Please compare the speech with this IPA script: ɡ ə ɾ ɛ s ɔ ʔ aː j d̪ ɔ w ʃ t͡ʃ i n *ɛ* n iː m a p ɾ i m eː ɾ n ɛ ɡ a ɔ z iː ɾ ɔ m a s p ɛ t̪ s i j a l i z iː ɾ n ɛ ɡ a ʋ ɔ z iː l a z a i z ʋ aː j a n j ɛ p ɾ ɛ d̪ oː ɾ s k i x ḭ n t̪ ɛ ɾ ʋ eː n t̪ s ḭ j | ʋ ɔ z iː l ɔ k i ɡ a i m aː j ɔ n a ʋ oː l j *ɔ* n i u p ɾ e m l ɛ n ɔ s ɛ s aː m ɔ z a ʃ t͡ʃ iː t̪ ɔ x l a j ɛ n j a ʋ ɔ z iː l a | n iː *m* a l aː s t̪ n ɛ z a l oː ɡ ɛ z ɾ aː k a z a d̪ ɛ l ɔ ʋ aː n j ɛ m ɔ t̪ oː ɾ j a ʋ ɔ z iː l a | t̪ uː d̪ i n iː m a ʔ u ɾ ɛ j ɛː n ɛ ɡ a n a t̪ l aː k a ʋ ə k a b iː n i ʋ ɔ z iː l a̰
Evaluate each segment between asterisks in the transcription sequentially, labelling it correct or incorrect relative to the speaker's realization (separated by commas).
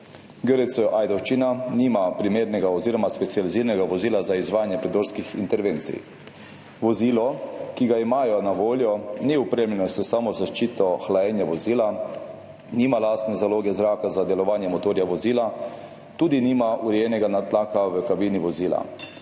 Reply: incorrect, correct, correct